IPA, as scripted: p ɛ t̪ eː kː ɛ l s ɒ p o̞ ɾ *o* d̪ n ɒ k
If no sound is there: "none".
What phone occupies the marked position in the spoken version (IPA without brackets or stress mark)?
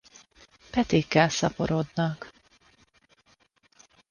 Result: o